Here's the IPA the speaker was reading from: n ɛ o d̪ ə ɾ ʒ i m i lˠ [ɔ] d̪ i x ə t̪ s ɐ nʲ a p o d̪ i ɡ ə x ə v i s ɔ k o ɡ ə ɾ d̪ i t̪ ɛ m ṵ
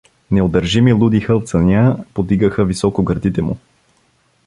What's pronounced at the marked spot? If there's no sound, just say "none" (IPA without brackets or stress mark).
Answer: u